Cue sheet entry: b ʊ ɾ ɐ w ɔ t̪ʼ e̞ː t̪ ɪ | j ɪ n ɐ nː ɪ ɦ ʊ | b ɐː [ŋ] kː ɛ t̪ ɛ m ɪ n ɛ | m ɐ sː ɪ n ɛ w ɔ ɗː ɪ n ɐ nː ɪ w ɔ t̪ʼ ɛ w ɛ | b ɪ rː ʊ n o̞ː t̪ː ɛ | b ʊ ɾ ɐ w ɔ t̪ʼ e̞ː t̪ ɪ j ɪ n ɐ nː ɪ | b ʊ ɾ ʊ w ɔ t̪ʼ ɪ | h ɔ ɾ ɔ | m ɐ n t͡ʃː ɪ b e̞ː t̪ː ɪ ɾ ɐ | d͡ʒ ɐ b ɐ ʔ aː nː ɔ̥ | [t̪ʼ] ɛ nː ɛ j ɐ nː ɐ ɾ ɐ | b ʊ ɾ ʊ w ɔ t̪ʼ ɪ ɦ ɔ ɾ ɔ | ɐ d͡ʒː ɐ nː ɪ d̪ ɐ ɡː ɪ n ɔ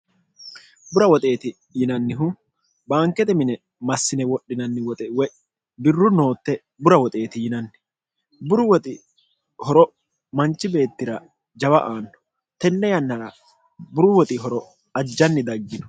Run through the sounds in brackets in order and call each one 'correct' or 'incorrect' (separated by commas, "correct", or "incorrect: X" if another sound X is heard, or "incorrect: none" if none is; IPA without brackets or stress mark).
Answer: correct, incorrect: t̪